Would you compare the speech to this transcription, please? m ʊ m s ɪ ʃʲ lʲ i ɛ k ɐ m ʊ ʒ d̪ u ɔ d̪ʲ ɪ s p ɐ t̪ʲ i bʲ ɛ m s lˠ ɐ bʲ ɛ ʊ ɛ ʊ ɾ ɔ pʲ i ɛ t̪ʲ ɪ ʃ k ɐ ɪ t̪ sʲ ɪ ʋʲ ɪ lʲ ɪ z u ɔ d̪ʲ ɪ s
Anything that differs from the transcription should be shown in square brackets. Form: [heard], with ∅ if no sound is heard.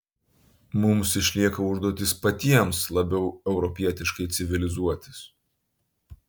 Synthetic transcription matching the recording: m ʊ m s ɪ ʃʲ lʲ i ɛ k ɐ [∅] ʊ ʒ d̪ u ɔ [t̪ʲ] ɪ s p ɐ t̪ʲ i [∅] ɛ m s lˠ ɐ bʲ ɛ ʊ ɛ ʊ ɾ ɔ pʲ i ɛ t̪ʲ ɪ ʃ k ɐ ɪ t̪ sʲ ɪ ʋʲ ɪ lʲ ɪ z u ɔ [t̪ʲ] ɪ s